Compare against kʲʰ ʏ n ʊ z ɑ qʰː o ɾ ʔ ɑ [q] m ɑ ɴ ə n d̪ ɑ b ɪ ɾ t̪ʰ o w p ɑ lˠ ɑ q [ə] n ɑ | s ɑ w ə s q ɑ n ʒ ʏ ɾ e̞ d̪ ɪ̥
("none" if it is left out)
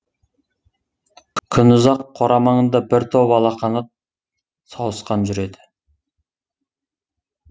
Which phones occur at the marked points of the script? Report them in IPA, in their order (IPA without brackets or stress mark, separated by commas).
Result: none, ɑ